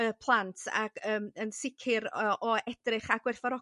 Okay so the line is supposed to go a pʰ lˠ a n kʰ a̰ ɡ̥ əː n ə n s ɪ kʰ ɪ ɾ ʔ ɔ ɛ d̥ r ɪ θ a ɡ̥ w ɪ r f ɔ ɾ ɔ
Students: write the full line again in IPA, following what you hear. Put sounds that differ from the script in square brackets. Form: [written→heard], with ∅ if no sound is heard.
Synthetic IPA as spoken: [a→ə] pʰ lˠ a n [kʰ→tʰ] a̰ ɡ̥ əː [n→m] ə n s ɪ kʰ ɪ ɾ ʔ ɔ ɛ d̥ r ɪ [θ→χ] a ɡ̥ w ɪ r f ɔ ɾ ɔ

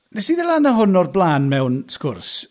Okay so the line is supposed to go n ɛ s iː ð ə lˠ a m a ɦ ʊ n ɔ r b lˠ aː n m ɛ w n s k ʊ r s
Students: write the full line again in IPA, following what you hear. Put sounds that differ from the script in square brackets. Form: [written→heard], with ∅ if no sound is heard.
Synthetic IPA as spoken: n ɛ s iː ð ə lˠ a [m→n] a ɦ ʊ n ɔ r b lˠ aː n m ɛ w n s k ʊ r s

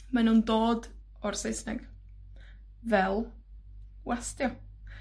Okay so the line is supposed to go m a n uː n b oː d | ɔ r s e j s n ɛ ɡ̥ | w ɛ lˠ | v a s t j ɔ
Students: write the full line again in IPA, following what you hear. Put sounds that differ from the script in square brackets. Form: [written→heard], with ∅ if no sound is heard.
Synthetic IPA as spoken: m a n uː n [b→d] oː d | ɔ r s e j s n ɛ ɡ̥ | [w→v] ɛ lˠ | [v→w] a s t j ɔ

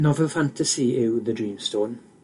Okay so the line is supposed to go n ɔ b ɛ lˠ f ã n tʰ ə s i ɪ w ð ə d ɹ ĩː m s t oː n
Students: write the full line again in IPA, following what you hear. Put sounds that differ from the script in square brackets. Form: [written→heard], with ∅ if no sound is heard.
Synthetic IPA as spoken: n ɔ [b→v] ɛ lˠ f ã n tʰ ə s i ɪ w ð ə d ɹ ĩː m s t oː n

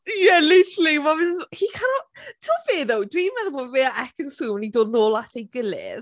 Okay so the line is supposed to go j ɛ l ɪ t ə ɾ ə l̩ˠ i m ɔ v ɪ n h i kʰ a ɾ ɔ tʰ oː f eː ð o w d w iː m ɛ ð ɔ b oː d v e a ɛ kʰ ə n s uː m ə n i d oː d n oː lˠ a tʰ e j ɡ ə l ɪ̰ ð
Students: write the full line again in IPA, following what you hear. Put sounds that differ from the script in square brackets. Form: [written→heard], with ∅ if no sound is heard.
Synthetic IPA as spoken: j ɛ l ɪ t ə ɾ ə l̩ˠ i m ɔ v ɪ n h i kʰ a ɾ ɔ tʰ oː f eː ð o w d w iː m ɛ ð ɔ b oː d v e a ɛ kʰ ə n s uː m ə n i d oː d n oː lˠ a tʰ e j ɡ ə l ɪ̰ ð

